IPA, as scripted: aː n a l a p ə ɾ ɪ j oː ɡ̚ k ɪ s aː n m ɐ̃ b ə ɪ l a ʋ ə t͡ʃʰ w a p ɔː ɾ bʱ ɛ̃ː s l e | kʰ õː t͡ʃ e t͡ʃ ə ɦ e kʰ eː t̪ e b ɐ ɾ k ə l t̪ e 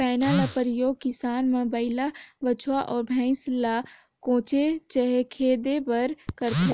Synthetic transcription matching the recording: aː n a l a p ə ɾ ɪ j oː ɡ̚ k ɪ s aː n m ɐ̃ b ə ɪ l a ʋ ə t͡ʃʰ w a ʔ ɔː ɾ bʱ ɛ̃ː s l a | k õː t͡ʃ e t͡ʃ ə ɦ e kʰ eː d̪ e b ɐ ɾ k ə ɾ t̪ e